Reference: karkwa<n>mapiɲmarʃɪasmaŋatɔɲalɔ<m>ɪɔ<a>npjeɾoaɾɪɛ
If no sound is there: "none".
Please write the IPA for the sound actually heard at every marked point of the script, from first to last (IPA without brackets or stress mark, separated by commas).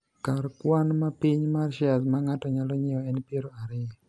n, ɲ, ɛ